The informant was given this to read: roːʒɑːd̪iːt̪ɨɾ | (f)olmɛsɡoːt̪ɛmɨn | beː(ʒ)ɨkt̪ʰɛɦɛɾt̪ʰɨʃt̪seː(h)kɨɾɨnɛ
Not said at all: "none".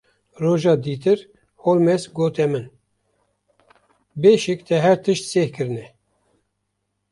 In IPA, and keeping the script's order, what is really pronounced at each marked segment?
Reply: h, ʃ, h

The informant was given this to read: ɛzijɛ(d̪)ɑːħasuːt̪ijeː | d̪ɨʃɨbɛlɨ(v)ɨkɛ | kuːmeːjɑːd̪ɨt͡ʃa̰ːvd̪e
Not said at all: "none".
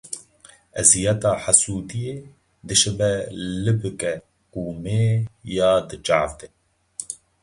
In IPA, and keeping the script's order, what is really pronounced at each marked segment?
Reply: t̪, b

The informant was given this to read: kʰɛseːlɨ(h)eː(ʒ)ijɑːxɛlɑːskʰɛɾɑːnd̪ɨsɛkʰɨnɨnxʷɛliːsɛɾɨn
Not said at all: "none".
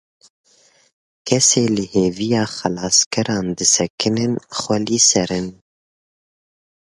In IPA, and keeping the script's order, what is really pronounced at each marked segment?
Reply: h, v

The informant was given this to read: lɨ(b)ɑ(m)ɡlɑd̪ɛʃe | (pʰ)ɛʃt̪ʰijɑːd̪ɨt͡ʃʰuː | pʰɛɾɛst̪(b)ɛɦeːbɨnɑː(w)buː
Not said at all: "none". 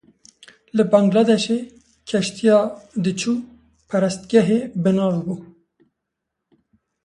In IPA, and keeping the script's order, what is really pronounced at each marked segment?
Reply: b, ŋ, kʰ, ɡ, v

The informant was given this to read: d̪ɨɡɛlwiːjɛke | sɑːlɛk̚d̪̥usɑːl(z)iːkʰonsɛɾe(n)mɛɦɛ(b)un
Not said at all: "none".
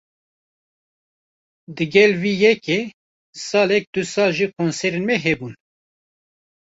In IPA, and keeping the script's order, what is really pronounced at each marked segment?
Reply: ʒ, n, b

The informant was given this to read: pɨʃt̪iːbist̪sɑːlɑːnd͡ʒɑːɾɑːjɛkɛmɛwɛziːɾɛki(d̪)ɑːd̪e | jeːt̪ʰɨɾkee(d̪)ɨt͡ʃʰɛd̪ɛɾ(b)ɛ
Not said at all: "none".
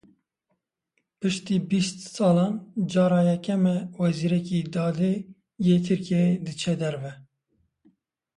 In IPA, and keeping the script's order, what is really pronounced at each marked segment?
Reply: d̪, d̪, v

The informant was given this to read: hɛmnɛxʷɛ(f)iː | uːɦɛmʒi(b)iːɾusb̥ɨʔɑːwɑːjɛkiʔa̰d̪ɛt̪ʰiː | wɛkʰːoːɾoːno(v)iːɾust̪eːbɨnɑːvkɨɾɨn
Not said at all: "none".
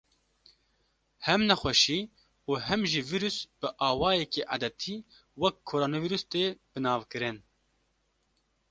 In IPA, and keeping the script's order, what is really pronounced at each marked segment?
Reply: ʃ, v, v

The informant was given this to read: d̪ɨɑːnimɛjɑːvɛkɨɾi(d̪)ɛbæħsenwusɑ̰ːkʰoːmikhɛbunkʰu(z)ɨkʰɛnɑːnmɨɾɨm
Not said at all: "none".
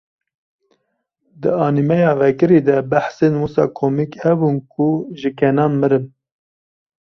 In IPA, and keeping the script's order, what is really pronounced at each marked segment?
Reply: d̪, ʒ

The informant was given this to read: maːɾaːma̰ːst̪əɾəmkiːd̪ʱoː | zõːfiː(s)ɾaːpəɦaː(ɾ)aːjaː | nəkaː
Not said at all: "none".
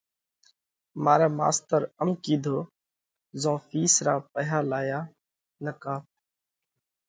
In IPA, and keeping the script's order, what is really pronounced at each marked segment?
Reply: s, l

